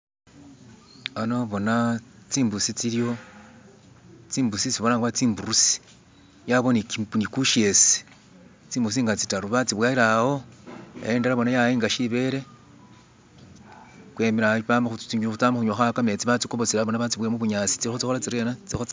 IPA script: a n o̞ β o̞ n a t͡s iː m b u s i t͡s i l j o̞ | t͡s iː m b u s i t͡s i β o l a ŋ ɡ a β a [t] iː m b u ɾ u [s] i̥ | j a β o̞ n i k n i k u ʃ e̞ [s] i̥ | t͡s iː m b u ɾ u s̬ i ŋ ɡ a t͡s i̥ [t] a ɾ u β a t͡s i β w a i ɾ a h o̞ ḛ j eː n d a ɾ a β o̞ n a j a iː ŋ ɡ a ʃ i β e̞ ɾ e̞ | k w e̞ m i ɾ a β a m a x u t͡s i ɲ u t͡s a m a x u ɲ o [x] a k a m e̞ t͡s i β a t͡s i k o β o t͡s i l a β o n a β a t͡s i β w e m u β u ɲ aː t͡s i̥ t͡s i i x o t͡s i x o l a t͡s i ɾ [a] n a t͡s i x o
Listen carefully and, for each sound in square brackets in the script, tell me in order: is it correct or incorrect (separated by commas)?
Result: incorrect, correct, correct, correct, correct, incorrect